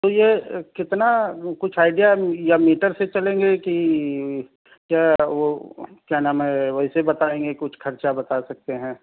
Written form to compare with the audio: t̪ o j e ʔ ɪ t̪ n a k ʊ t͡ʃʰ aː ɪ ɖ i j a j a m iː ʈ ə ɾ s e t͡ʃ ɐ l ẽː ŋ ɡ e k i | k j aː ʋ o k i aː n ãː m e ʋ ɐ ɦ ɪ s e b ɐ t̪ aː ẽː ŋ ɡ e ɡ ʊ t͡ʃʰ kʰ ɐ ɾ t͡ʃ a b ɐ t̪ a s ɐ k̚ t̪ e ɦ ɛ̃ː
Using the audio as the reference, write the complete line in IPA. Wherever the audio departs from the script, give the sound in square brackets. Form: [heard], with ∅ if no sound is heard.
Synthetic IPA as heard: t̪ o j e [k] ɪ t̪ n a k ʊ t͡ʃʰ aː ɪ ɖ i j a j a m iː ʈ ə ɾ s e t͡ʃ ɐ l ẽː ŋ ɡ e k i | k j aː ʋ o k [j] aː n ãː m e ʋ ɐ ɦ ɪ s e b ɐ t̪ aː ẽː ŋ ɡ e [k] ʊ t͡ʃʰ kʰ ɐ ɾ t͡ʃ a b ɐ t̪ a s ɐ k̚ t̪ e ɦ ɛ̃ː